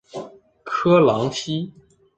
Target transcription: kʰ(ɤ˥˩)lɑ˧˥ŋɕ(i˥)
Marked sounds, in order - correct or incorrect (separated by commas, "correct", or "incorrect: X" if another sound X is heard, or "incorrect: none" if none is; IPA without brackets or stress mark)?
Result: incorrect: ɤ˥, correct